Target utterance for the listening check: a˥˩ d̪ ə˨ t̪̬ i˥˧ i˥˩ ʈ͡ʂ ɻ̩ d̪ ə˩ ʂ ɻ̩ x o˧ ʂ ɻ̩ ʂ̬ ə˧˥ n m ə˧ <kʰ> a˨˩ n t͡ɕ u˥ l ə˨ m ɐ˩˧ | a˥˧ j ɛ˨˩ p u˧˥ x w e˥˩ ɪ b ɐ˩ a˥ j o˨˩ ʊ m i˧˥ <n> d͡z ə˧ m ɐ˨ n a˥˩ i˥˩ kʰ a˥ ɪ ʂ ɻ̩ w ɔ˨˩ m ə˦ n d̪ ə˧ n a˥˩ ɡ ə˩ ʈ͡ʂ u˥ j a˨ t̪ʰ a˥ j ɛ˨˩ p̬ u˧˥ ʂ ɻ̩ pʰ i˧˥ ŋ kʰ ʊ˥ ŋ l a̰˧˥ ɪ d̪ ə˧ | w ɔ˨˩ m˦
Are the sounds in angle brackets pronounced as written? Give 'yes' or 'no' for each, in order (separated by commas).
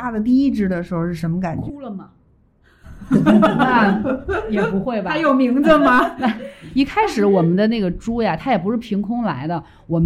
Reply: no, no